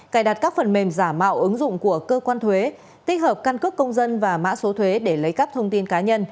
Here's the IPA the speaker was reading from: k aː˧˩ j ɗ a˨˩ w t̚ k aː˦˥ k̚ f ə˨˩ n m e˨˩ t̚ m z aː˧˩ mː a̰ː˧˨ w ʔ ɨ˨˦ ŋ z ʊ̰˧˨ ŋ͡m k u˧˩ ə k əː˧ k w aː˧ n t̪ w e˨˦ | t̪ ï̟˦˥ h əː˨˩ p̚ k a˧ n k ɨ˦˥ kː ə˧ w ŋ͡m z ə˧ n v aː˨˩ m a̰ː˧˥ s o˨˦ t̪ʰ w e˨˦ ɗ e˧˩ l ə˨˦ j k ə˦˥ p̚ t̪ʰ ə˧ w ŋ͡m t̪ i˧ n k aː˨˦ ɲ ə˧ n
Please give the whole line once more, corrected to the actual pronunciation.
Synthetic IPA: k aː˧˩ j ɗ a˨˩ t̚ k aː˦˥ k̚ f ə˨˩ n m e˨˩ m z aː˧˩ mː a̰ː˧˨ w ʔ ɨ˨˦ ŋ z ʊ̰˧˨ ŋ͡m k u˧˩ ə k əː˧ k w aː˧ n t̪ʰ w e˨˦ | t̪ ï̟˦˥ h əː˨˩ p̚ k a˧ n k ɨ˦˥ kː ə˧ w ŋ͡m z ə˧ n v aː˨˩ m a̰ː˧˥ s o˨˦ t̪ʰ w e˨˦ ɗ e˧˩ l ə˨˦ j k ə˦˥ p̚ t̪ʰ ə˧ w ŋ͡m t̪ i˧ n k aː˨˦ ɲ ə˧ n